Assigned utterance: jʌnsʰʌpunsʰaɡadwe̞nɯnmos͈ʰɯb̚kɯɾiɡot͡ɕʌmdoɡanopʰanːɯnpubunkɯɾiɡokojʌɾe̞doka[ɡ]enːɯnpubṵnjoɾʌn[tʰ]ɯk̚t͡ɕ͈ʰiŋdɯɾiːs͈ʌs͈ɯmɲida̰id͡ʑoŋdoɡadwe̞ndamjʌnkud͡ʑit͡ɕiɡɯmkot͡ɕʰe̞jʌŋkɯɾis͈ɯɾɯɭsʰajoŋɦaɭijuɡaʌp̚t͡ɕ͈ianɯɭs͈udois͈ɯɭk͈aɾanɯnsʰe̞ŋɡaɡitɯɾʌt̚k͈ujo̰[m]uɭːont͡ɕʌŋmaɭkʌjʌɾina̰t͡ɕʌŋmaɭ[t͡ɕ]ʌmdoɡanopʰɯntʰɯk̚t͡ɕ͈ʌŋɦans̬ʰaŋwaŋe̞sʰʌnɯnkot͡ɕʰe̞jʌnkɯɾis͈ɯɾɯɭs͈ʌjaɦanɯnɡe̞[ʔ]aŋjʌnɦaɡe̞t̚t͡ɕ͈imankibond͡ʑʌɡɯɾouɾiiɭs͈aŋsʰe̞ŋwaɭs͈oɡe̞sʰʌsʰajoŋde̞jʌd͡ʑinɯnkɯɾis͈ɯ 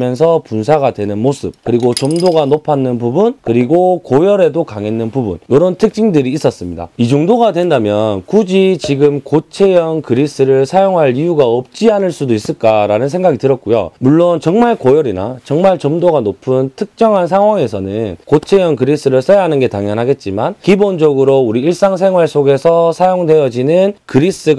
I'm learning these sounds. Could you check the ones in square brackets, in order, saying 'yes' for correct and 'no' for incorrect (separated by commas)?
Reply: no, yes, yes, yes, no